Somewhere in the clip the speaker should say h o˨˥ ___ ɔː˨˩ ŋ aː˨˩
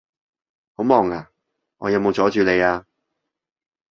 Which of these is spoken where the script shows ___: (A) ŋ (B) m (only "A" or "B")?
B